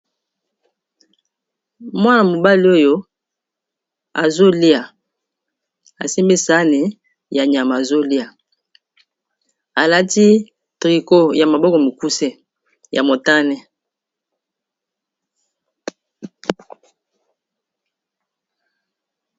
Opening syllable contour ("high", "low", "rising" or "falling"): high